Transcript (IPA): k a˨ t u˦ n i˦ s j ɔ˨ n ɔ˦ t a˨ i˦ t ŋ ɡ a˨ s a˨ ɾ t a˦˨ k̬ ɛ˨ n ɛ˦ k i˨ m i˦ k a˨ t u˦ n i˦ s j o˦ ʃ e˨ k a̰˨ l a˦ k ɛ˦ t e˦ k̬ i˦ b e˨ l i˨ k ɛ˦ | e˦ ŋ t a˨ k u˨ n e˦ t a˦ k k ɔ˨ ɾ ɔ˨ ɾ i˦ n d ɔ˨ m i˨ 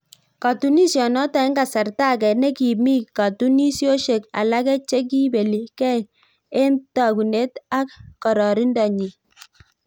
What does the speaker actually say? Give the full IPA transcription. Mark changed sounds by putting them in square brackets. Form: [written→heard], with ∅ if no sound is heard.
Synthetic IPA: k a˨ t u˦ n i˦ s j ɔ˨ n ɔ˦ t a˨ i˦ [t→∅] ŋ ɡ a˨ s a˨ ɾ t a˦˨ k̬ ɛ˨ n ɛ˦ k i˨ m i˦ k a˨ t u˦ n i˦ s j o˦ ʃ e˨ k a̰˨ l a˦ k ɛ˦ [t→t͡ʃ] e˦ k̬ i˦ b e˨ l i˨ k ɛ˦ | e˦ [ŋ→n] t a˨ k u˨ n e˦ t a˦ k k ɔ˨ ɾ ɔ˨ ɾ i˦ n d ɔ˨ [m→ɲ] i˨

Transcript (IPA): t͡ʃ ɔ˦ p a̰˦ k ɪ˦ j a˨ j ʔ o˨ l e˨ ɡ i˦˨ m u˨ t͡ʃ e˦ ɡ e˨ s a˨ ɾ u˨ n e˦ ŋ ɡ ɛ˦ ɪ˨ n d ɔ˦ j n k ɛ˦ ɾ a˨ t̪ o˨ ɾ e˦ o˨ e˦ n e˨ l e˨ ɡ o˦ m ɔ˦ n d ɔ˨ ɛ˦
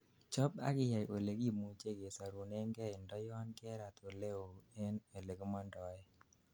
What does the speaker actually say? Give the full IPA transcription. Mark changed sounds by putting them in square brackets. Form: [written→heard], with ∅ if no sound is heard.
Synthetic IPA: t͡ʃ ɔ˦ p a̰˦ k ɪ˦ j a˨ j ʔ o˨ l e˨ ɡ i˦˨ m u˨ t͡ʃ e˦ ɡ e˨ s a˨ ɾ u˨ n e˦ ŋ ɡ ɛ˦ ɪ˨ n d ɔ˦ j n k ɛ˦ ɾ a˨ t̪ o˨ [ɾ→l] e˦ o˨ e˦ n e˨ l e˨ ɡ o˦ m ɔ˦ n d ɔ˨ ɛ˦

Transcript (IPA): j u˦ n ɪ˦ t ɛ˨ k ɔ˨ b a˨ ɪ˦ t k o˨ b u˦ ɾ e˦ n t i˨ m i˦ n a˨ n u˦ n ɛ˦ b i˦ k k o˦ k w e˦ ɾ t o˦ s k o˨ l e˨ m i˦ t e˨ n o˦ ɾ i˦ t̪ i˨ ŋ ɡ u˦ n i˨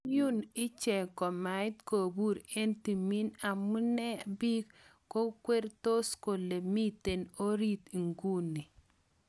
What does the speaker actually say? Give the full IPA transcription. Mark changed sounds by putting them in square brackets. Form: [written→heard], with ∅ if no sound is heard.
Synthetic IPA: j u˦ n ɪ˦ [t→t͡ʃ] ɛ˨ k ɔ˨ [b→m] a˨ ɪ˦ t k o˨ b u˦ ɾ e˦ n t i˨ m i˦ n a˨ [n→m] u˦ n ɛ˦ b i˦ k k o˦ k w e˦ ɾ t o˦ s k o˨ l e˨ m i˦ t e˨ n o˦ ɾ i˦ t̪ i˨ ŋ ɡ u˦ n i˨

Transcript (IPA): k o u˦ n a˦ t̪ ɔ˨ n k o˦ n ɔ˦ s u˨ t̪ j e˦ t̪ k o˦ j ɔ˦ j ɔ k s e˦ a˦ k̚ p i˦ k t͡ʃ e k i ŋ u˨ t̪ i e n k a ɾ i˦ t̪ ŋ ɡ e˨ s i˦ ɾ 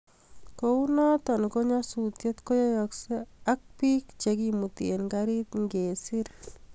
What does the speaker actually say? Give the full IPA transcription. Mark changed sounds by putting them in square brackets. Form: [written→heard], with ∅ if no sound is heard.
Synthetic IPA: k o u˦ n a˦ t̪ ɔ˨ n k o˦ [n→ɲ] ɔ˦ s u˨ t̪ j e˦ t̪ k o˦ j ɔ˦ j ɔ k s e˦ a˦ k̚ p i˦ k t͡ʃ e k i [ŋ→m] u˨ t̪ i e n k a ɾ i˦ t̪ ŋ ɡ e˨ s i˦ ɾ

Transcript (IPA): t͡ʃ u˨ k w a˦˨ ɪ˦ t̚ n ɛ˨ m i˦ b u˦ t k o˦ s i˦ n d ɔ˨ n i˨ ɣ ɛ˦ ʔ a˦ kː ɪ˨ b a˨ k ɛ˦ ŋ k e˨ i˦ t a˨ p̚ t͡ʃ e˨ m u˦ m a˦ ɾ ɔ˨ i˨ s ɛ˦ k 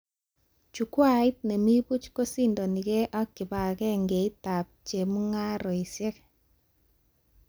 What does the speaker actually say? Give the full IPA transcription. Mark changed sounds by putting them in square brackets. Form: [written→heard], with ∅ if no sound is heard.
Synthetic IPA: t͡ʃ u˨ k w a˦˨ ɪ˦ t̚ n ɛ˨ m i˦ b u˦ [t→t͡ʃ] k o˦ s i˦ n d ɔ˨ n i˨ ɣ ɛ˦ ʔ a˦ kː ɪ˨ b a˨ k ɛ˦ ŋ [k→ɡ] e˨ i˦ t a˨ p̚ t͡ʃ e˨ m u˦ [m→ŋ] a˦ ɾ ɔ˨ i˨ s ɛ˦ k

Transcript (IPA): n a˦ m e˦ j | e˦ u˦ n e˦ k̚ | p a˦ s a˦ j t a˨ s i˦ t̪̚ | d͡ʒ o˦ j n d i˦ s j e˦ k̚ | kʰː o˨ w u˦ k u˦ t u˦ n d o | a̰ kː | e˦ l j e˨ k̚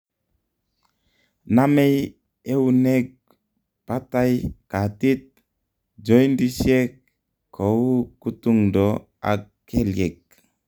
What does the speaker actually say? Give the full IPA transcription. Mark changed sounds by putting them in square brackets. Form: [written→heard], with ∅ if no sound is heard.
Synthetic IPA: n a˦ m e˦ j | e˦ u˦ n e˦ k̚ | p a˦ [s→t] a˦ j [t→k] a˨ [s→t] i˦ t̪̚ | d͡ʒ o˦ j n d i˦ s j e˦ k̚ | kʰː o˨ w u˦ k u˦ t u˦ [n→ŋ] d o | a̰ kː | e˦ l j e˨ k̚

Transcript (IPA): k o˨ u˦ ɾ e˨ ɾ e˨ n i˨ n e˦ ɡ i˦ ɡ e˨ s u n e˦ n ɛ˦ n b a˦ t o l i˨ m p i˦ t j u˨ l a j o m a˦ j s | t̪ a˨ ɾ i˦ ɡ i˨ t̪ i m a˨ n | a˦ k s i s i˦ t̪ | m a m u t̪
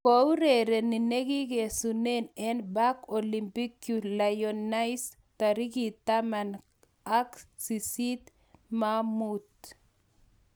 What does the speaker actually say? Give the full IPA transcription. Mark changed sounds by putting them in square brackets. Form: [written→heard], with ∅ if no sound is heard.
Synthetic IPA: k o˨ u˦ ɾ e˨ ɾ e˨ n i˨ n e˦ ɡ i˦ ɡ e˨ s u n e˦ n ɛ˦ n b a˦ [t→k] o l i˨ m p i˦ [t→k] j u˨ l a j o [m→n] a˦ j s | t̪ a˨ ɾ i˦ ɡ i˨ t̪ [i→a] m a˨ n | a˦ k s i s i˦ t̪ | m a m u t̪

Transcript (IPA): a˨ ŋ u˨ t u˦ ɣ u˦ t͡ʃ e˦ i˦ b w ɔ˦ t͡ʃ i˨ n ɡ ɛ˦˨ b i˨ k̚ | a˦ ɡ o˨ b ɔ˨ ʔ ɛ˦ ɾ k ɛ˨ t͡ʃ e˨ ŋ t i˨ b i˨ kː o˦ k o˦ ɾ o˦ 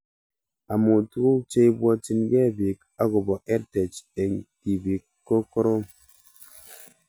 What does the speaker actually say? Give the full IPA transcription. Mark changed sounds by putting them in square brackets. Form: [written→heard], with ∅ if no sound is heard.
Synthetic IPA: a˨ [ŋ→m] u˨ t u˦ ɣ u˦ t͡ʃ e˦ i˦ b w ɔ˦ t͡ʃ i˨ n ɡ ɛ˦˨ b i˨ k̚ | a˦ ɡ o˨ b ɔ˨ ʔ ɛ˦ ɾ [k→t] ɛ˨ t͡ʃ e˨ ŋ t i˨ b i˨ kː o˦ k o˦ ɾ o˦

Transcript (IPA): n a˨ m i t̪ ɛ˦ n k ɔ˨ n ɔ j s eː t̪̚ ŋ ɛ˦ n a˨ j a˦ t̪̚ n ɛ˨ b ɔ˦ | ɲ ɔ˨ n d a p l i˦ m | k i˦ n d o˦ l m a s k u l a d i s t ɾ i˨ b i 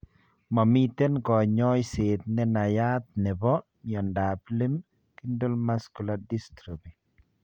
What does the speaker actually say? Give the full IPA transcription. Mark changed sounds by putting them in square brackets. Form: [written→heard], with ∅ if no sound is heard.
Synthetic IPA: [n→m] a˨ m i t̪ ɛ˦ n k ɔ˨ [n→ɲ] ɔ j s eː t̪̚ [ŋ→n] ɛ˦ n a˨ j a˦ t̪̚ n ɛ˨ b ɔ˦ | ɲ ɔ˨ n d a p l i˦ m | k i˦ n d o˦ l m a s k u l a d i s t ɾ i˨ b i

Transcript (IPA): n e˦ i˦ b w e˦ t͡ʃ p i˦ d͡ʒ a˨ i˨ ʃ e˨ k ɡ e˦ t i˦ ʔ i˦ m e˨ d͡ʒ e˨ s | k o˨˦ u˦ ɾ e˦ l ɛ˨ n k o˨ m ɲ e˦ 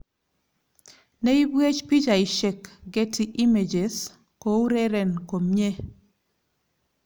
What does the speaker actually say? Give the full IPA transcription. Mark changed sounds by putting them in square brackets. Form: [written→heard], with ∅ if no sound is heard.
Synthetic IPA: n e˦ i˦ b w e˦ t͡ʃ p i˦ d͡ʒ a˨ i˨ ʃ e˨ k ɡ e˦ t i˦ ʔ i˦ m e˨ d͡ʒ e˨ s | k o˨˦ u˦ ɾ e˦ [l→ɾ] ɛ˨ n k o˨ m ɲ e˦

